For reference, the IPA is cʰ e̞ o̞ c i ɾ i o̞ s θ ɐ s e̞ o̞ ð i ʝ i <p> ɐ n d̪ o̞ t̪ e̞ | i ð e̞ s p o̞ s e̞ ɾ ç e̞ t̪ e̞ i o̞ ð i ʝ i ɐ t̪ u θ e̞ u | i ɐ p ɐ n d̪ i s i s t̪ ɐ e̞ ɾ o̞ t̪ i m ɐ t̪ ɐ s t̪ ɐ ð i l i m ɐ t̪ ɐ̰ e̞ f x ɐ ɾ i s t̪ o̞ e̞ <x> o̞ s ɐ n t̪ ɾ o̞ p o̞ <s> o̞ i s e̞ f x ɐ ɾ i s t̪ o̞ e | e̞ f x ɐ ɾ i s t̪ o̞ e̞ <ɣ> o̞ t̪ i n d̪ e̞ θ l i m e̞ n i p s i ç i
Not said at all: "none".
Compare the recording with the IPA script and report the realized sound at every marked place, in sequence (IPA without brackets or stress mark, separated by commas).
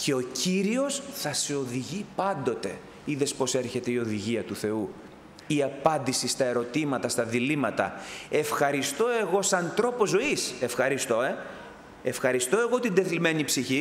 p, ɣ, z, ɣ